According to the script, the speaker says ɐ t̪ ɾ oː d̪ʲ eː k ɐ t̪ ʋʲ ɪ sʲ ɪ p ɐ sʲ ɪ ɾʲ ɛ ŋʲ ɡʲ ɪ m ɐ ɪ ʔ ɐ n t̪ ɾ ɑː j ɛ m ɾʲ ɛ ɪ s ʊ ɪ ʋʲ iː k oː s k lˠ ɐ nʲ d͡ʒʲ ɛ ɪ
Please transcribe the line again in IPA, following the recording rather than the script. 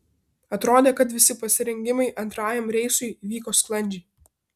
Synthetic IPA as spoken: ɐ t̪ ɾ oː d̪ʲ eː k ɐ t̪ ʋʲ ɪ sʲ ɪ p ɐ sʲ ɪ ɾʲ ɛ ŋʲ ɡʲ ɪ m ɐ ɪ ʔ ɐ n t̪ ɾ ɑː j ɛ m ɾʲ ɛ ɪ s ʊ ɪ ʋʲ iː k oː s k lˠ ɐ nʲ d͡ʒʲ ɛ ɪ